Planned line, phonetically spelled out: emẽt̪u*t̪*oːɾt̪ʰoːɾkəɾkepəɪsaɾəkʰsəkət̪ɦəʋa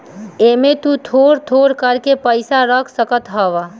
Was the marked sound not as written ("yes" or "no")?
yes